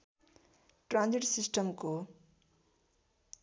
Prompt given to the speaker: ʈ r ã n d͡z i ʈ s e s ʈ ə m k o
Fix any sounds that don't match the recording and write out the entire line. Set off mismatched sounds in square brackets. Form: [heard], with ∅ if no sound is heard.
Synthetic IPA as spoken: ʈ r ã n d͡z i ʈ s [i] s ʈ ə m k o